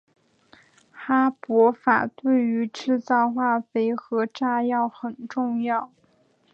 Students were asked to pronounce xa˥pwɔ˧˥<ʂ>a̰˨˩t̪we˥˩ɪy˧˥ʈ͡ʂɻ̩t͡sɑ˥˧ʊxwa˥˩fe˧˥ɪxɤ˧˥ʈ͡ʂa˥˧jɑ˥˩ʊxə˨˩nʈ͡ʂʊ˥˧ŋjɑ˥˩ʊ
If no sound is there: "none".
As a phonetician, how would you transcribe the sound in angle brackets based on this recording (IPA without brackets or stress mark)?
f